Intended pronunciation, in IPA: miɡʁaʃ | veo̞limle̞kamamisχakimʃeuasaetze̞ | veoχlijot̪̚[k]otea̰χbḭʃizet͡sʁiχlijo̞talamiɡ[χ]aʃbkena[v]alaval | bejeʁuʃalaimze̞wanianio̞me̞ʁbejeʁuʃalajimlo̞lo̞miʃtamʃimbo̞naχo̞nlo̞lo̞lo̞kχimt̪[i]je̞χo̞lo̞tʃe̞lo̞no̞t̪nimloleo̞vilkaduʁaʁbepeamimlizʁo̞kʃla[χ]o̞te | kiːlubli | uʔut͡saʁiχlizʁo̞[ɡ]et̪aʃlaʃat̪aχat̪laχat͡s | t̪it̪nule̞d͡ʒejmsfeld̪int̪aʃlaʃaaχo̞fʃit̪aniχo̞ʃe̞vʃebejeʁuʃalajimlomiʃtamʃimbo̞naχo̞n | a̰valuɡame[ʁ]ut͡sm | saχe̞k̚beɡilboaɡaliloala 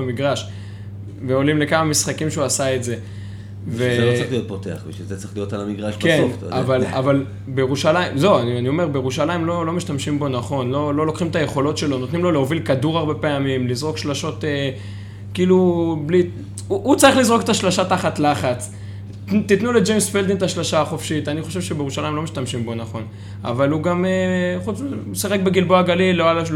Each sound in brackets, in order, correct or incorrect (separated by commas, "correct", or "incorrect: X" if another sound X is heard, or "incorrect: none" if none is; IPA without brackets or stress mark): incorrect: p, incorrect: ʁ, correct, incorrect: a, incorrect: ʃ, incorrect: k, incorrect: χ